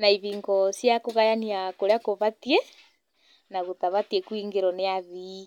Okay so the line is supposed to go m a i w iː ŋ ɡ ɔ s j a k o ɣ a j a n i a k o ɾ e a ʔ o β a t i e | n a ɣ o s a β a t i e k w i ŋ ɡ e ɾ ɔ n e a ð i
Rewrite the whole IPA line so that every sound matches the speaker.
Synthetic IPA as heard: n a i β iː ŋ ɡ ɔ s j a k o ɣ a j a n i a k o ɾ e a k o β a t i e | n a ɣ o t a β a t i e k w i ŋ ɡ e ɾ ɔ n e a ð i

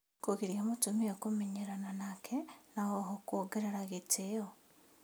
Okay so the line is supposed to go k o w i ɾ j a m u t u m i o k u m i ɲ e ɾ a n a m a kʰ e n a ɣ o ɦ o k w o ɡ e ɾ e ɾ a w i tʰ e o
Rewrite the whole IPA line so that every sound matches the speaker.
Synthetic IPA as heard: k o ɣ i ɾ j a m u t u m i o k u m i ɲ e ɾ a n a n a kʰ e n a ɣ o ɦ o k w o ɡ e ɾ e ɾ a ɣ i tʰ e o

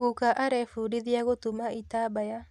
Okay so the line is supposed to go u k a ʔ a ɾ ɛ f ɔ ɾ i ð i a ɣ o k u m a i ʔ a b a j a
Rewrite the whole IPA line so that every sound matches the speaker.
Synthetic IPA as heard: u k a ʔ a ɾ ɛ f u ɾ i ð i a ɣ o t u m a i t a b a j a

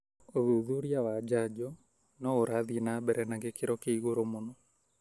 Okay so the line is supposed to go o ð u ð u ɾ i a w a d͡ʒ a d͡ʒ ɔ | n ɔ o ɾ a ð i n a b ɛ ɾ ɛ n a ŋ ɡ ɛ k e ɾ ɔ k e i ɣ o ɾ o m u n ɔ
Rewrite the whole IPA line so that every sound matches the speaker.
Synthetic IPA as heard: o ð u ð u ɾ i a w a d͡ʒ a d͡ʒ ɔ | n ɔ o ɾ a ð i n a b ɛ ɾ ɛ n a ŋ ɡ e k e ɾ ɔ k e i ɣ o ɾ o m o n ɔ

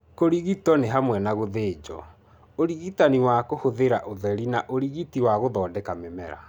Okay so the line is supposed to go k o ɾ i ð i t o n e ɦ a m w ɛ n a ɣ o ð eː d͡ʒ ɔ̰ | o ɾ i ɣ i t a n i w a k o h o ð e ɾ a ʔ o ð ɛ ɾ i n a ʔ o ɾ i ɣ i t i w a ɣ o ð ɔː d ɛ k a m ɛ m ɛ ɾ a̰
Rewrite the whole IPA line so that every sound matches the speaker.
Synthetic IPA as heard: k o ɾ i ɣ i t ɔ n e ɦ a m w ɛ n a ɣ o ð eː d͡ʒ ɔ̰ | o ɾ i ɣ i t a n i w a k o h o ð e ɾ a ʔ o ð ɛ ɾ i n a ʔ o ɾ i ɣ i t i w a ɣ o ð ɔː d ɛ k a m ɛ m ɛ ɾ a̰

